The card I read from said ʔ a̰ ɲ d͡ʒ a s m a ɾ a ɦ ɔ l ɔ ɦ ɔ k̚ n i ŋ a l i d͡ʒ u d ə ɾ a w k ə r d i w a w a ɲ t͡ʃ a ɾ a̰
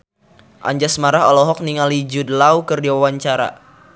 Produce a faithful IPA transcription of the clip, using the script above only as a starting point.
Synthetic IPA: ʔ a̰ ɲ d͡ʒ a s m a ɾ a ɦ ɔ l ɔ ɦ ɔ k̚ n i ŋ a l i d͡ʒ u d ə l a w k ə r d i w a w a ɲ t͡ʃ a ɾ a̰